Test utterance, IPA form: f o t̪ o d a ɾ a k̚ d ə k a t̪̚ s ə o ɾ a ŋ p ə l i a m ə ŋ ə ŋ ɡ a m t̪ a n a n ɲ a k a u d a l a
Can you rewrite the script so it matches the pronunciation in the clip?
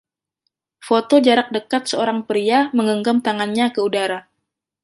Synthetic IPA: f o t̪ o d͡ʒ a ɾ a k̚ d ə k a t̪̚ s ə o ɾ a ŋ p ə ɾ i a m ə ŋ ə ŋ ɡ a m t̪ a ŋ a n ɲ a k ə u d a ɾ a